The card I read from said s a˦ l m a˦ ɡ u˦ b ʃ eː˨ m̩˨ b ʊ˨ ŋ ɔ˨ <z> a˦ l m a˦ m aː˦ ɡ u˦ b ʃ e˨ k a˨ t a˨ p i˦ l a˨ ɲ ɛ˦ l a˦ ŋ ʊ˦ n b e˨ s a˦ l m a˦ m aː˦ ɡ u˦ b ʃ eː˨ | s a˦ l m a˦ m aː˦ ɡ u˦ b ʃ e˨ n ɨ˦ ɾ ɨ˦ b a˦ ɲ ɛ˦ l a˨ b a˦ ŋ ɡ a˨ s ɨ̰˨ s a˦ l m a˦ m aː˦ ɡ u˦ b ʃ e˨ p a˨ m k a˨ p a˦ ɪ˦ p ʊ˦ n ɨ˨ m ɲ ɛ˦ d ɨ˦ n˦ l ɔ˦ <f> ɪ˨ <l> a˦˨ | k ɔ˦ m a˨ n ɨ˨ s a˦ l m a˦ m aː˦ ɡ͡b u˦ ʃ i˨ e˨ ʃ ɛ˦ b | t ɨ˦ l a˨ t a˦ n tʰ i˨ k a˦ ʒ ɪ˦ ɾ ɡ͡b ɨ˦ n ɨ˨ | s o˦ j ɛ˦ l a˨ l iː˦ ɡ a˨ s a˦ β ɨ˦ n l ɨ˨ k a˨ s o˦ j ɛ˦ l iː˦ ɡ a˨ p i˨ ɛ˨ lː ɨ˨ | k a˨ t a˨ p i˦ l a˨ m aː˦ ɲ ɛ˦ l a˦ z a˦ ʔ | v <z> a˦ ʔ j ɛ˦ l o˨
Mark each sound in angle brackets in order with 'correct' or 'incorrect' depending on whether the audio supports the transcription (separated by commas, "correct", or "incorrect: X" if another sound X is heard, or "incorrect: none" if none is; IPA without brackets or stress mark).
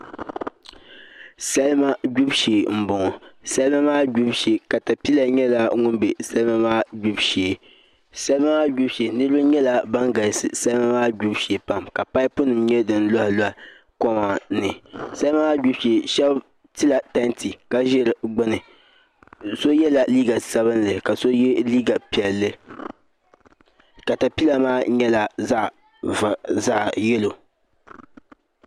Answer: incorrect: s, incorrect: h, correct, correct